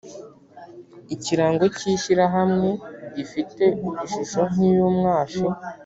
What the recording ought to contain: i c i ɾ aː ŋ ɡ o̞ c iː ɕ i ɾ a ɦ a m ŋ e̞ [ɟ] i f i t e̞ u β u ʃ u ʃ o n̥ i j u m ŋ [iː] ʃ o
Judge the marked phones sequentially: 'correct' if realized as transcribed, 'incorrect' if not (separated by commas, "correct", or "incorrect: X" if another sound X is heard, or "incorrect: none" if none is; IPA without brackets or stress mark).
correct, incorrect: aː